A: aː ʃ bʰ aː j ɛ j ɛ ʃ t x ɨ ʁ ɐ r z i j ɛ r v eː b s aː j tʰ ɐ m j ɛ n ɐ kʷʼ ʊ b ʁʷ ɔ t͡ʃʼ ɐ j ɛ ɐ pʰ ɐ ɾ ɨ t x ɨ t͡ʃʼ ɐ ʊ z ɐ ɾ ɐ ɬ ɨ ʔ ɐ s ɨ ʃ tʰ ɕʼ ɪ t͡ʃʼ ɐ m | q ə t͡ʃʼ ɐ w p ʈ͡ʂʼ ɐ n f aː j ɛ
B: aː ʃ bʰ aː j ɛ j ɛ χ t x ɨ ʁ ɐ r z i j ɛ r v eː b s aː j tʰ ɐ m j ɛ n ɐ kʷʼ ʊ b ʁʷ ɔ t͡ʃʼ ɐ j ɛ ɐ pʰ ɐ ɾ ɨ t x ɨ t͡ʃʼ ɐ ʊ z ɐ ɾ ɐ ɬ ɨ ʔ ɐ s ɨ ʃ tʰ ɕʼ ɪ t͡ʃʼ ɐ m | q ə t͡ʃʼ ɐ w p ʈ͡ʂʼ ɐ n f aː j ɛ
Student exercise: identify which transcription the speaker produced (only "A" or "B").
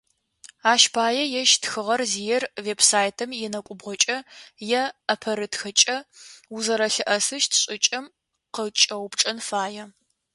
A